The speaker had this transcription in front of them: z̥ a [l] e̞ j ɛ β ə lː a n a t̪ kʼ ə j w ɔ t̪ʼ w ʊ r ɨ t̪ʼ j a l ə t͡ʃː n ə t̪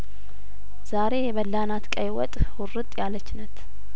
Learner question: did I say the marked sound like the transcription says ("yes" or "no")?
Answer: no